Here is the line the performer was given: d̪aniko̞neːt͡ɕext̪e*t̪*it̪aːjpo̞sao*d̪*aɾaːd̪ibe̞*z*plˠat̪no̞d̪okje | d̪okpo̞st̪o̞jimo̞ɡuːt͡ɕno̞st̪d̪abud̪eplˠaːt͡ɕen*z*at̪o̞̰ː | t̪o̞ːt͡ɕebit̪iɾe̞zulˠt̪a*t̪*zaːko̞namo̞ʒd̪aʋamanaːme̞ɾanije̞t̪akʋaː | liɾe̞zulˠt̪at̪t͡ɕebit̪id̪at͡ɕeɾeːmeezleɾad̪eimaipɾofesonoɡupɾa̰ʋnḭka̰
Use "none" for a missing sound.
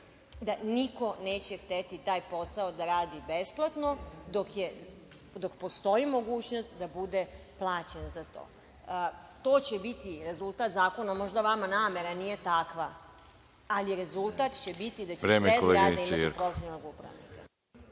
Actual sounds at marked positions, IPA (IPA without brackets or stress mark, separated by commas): t̪, d̪, s, z, t̪